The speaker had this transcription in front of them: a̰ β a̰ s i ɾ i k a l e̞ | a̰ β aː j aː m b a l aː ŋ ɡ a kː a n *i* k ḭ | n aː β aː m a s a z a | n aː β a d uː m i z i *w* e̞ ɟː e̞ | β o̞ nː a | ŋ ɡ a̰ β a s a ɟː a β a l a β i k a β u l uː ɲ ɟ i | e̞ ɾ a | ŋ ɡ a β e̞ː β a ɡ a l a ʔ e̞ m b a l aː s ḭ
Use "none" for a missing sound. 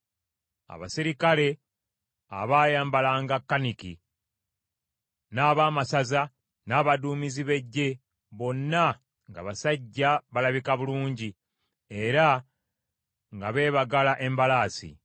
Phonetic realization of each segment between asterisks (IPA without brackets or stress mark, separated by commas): i, β